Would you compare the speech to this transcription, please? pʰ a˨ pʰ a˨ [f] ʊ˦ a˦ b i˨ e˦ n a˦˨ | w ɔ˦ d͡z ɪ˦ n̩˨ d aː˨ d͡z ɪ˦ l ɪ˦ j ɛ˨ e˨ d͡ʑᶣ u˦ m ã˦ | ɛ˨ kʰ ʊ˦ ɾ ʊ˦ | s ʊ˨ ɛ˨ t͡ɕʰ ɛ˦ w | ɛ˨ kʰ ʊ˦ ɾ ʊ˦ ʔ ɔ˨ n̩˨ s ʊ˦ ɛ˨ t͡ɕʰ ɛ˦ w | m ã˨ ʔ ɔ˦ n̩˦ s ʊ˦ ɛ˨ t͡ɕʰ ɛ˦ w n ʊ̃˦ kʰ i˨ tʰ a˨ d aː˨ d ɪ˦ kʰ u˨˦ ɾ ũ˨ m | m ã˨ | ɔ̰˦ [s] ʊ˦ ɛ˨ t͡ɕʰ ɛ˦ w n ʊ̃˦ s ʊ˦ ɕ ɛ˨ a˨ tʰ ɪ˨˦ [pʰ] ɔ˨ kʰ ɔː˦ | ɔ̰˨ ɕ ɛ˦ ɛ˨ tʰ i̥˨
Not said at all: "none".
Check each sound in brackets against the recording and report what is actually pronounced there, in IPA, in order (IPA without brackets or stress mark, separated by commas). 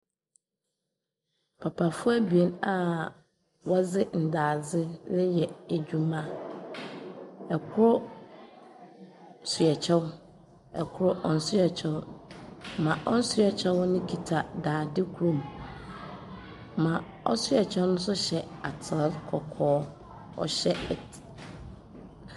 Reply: f, s, kʰ